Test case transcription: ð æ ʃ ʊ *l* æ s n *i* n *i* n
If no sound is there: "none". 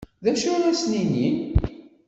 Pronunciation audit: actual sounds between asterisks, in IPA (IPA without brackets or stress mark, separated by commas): ɾ, i, i